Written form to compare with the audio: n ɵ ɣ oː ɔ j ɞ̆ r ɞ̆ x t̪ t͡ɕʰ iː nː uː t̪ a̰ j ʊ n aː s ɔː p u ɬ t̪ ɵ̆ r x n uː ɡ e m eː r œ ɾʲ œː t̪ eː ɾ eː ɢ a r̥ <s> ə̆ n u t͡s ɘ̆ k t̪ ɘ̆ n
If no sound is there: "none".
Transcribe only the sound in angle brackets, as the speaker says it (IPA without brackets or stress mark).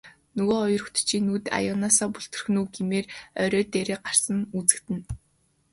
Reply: s